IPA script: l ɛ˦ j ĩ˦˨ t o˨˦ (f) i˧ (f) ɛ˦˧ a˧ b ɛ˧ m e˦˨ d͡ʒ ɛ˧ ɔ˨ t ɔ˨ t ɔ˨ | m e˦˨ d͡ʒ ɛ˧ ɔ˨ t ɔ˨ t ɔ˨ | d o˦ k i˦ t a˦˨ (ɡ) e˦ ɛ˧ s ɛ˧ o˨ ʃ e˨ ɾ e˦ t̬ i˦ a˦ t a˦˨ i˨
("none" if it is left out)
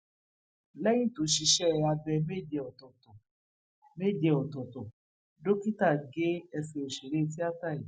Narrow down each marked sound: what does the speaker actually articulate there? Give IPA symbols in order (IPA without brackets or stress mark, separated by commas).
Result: ʃ, ʃ, ɡ